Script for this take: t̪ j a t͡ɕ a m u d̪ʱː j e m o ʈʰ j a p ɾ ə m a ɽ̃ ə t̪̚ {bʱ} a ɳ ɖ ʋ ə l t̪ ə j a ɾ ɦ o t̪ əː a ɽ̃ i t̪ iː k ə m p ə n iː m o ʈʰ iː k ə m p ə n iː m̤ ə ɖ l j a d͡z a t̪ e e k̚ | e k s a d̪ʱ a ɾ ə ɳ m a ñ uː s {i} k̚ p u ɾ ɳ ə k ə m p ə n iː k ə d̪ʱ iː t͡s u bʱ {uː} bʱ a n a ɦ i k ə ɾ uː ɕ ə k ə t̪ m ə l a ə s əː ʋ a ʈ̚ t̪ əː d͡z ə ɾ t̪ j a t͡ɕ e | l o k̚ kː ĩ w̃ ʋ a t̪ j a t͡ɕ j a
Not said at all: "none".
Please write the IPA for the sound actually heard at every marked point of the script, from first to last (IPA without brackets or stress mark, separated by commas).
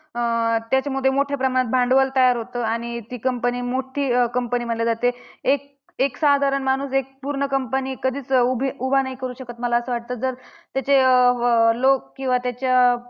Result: bʱ, e, u